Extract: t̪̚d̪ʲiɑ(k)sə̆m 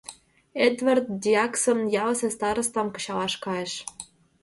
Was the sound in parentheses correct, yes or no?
yes